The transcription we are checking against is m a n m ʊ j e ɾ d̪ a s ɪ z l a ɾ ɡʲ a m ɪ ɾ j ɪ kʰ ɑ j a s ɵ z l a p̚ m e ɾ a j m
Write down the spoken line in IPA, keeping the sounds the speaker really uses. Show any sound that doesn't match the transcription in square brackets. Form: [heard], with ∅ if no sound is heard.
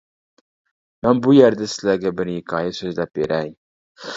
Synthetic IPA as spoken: m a n [b] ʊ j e ɾ d̪ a s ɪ z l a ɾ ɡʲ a [b] ɪ ɾ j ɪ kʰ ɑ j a s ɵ z l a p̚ [b] e ɾ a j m

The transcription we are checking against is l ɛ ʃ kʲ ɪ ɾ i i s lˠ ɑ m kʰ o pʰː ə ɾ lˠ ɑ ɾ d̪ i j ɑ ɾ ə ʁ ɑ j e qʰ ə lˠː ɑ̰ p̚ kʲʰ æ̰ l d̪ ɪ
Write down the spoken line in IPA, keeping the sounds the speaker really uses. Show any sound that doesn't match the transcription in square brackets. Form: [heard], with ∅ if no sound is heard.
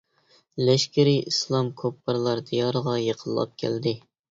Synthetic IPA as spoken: l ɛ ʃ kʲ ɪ ɾ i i s lˠ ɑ m kʰ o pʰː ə ɾ lˠ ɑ ɾ d̪ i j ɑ ɾ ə ʁ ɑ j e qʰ ə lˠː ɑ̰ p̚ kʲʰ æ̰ l d̪ ɪ

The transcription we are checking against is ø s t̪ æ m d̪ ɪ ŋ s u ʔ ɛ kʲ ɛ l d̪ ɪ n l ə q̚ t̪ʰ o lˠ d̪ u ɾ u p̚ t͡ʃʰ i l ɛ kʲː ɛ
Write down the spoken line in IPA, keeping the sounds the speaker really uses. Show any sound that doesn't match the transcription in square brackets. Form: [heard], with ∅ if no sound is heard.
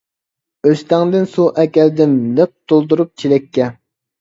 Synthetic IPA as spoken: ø s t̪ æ [ŋ] d̪ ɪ [n] s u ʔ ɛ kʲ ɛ l d̪ ɪ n l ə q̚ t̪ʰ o lˠ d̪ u ɾ u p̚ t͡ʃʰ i l ɛ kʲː ɛ

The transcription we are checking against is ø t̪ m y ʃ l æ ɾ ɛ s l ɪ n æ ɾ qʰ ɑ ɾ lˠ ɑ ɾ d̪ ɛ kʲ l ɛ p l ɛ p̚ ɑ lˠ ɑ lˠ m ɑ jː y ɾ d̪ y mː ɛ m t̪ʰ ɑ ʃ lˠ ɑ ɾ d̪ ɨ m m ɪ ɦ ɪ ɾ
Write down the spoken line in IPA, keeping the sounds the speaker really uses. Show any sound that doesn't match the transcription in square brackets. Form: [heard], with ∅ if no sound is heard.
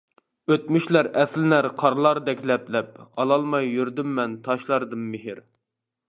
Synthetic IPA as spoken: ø t̪ m y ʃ l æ ɾ ɛ s l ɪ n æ ɾ qʰ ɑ ɾ lˠ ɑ ɾ d̪ ɛ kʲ l ɛ p l ɛ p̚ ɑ lˠ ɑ lˠ m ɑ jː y ɾ d̪ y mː ɛ [n] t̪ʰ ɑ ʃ lˠ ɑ ɾ d̪ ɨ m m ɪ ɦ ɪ ɾ

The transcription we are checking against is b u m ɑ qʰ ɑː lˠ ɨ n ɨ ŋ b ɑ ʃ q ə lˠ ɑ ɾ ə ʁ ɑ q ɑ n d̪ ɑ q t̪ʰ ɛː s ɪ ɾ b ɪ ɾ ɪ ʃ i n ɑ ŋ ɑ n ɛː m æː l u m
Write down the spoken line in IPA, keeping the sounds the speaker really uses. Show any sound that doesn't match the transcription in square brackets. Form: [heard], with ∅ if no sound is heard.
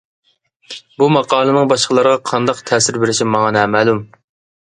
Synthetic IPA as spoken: b u m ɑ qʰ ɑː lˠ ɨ n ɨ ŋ b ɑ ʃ q ə lˠ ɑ ɾ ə ʁ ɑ [qʰ] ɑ n d̪ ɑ q t̪ʰ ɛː s ɪ ɾ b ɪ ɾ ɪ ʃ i [m] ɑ ŋ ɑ n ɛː m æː l u m

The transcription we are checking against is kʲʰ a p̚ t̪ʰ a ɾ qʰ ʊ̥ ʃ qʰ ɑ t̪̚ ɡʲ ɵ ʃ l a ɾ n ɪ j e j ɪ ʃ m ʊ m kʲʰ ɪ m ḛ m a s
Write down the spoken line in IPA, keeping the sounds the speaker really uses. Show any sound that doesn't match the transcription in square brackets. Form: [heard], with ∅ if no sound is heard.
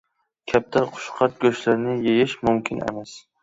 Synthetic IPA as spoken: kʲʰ a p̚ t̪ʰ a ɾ qʰ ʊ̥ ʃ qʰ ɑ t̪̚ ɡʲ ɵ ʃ l a ɾ n ɪ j e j ɪ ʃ m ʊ m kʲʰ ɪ [n] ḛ m a s

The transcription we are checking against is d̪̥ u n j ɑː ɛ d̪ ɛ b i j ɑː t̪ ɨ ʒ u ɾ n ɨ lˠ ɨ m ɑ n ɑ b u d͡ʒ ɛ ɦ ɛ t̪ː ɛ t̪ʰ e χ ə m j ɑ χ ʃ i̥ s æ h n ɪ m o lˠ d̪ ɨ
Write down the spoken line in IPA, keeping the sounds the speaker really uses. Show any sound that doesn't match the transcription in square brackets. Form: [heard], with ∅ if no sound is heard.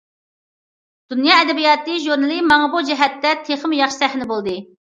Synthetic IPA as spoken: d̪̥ u n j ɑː ɛ d̪ ɛ b i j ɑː t̪ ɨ ʒ u ɾ n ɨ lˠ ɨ m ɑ [ŋ] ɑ b u d͡ʒ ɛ ɦ ɛ t̪ː ɛ t̪ʰ e χ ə m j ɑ χ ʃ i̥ s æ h n ɪ [b] o lˠ d̪ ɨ

